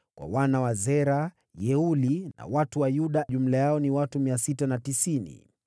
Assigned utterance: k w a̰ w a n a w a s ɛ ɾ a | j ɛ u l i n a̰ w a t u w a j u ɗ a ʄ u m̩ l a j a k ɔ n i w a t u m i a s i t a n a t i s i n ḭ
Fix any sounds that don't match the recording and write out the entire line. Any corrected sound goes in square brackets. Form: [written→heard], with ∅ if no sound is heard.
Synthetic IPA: k w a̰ w a n a w a [s→z] ɛ ɾ a | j ɛ u l i n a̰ w a t u w a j u ɗ a ʄ u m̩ l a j a [k→∅] ɔ n i w a t u m i a s i t a n a t i s i n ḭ